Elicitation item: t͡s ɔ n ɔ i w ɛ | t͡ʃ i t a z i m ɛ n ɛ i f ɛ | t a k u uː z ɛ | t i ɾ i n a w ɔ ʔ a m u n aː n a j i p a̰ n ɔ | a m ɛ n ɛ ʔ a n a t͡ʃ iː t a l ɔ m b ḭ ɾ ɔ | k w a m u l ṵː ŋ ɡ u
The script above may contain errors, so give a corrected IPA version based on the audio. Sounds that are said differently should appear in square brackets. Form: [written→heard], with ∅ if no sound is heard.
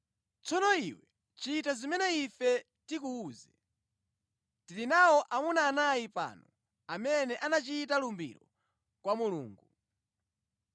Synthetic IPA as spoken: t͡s ɔ n ɔ i w ɛ | t͡ʃ i t a z i m ɛ n ɛ i f ɛ | t [a→i] k u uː z ɛ | t i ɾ i n a w ɔ ʔ a m u n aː n a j i p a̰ n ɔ | a m ɛ n ɛ ʔ a n a t͡ʃ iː t a l [ɔ→u] m b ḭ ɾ ɔ | k w a m u l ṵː ŋ ɡ u